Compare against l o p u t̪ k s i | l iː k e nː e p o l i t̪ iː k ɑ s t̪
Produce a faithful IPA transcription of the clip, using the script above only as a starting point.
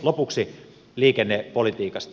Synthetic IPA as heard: l o p u k s i | l iː k e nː e p o l i t̪ iː k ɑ s t̪